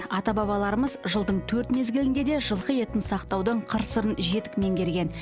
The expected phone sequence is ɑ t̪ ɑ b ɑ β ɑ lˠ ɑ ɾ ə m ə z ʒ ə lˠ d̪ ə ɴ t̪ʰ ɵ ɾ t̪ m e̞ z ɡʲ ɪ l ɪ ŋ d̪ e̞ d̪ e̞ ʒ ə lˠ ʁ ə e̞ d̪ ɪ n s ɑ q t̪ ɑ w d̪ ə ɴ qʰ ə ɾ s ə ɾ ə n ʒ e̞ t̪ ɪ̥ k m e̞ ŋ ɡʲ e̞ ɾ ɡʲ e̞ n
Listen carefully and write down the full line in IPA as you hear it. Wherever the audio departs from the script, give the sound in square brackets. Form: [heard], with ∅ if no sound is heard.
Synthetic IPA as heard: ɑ t̪ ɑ b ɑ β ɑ lˠ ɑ ɾ ə m ə z ʒ ə lˠ d̪ ə ɴ t̪ʰ ɵ ɾ t̪ m e̞ z ɡʲ ɪ l ɪ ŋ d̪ e̞ d̪ e̞ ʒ ə lˠ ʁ ə e̞ [t̪] ɪ n s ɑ q t̪ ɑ w d̪ ə ɴ qʰ ə ɾ s ə ɾ ə n ʒ e̞ t̪ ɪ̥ k m e̞ ŋ ɡʲ e̞ ɾ ɡʲ e̞ n